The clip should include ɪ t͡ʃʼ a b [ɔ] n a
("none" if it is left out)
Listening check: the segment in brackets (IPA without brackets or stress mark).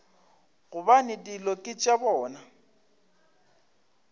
ɔː